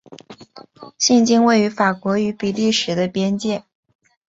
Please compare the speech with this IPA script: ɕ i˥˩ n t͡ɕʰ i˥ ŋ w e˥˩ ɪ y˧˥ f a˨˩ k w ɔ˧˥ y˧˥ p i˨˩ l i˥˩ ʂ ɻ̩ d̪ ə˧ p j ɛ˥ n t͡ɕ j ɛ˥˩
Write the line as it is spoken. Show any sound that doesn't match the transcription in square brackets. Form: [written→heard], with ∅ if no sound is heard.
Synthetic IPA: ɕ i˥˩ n [t͡ɕʰ→t͡ɕ] i˥ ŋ w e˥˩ ɪ y˧˥ f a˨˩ k w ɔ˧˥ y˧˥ p i˨˩ l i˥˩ ʂ ɻ̩ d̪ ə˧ p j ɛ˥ n t͡ɕ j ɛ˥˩